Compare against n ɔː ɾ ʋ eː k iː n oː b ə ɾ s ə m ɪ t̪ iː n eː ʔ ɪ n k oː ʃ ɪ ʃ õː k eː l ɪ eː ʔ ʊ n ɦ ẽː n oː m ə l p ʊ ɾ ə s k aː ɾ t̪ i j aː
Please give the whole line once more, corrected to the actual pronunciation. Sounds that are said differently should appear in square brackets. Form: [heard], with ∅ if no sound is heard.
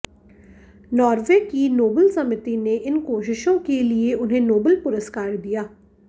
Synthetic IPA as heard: n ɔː ɾ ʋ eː k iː n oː b ə [l] s ə m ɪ t̪ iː n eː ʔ ɪ n k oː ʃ ɪ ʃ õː k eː l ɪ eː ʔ ʊ n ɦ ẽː n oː [b] ə l p ʊ ɾ ə s k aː ɾ [d̪] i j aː